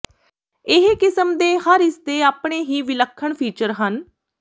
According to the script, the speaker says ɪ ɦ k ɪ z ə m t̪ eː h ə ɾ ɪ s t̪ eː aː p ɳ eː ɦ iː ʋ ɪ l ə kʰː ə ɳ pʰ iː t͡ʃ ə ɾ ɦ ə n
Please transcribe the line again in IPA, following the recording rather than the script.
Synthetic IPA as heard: ɪ ɦ k ɪ s ə m d̪ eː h ə ɾ ɪ s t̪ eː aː p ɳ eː ɦ iː ʋ ɪ l ə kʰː ə ɳ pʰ iː t͡ʃ ə ɾ ɦ ə n